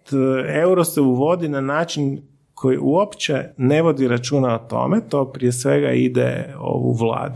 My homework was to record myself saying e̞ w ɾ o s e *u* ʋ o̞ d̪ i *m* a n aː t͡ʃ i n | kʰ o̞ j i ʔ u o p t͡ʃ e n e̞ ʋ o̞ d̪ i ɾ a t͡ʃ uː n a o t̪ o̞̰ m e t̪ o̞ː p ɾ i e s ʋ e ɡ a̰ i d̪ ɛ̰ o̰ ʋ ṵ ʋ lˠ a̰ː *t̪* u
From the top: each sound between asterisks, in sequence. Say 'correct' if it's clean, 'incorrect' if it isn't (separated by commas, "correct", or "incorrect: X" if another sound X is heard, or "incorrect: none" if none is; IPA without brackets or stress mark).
correct, incorrect: n, incorrect: d̪